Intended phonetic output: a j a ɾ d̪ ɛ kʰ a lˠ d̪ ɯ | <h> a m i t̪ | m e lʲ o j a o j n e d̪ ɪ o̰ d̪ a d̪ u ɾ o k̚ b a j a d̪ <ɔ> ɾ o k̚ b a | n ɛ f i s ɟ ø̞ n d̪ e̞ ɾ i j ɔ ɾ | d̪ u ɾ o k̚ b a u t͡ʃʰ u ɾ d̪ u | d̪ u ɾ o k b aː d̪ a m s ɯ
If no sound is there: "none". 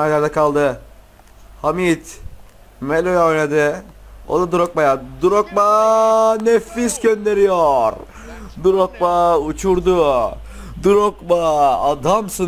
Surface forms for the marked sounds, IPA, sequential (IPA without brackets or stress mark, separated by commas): h, u